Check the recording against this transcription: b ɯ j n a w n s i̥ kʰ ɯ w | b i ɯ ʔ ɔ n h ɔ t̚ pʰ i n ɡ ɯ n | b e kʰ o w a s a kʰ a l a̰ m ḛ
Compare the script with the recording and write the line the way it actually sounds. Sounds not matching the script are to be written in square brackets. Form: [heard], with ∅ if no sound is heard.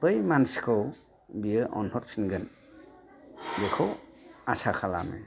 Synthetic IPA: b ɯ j [m] a [∅] n s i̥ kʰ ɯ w | b i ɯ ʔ ɔ n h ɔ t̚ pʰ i n ɡ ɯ n | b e kʰ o w a s a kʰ a l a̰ m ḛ